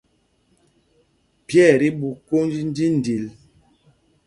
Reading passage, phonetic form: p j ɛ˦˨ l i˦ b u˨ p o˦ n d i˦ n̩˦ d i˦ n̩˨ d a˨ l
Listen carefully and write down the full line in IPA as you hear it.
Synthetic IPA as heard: p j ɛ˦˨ ɾ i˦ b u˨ k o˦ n d͡ʒ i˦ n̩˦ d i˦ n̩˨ d i˨ l